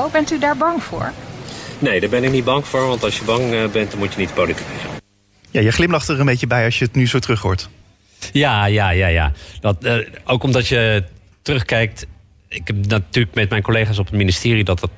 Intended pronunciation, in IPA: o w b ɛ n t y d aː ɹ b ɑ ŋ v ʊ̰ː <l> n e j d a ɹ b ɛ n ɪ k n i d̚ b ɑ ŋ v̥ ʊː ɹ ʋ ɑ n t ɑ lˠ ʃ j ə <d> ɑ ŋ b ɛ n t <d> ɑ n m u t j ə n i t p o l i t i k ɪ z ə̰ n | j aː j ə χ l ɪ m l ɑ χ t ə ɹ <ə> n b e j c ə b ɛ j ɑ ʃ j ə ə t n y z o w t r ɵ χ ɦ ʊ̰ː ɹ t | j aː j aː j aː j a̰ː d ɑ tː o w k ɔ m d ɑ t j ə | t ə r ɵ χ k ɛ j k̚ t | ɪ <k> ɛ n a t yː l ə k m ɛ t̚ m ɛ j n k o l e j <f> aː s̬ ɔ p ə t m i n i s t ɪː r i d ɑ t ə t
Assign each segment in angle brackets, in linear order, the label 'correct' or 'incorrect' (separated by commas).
incorrect, incorrect, correct, correct, correct, incorrect